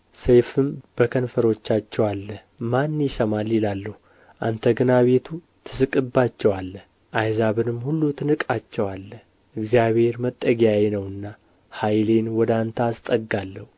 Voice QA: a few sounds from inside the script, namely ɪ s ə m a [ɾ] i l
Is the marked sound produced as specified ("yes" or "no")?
no